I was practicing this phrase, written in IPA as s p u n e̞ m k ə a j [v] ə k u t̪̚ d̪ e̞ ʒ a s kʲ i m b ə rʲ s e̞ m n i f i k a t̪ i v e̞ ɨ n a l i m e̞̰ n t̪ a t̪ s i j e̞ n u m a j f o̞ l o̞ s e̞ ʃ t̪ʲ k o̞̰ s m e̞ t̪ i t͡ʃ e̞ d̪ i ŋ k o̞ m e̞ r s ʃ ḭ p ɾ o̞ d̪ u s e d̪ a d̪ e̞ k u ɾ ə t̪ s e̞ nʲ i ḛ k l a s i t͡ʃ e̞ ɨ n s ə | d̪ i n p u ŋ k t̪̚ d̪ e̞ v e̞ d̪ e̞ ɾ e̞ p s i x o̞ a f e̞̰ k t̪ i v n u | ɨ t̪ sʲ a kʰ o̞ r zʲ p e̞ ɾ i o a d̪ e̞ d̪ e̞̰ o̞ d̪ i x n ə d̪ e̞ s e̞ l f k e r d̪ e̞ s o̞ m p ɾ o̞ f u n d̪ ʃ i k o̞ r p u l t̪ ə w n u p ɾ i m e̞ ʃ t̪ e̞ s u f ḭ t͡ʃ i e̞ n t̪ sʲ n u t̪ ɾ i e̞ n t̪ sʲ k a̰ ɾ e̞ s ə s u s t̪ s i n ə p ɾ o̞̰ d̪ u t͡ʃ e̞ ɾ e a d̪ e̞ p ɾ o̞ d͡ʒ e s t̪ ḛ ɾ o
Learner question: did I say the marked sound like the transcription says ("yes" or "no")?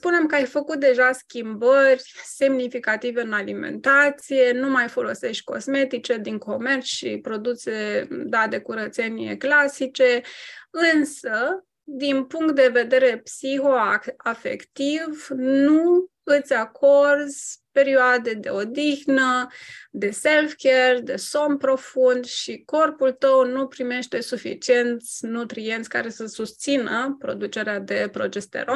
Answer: no